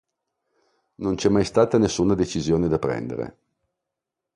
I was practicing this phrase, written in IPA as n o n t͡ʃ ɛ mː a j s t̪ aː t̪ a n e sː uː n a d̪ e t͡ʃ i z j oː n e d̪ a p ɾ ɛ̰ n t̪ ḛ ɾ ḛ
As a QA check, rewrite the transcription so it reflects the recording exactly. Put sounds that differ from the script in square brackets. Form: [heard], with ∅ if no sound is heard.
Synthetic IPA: n o n t͡ʃ ɛ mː a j s t̪ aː t̪ a n e sː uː n a d̪ e t͡ʃ i z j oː n e d̪ a p ɾ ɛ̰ n [d̪] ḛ ɾ ḛ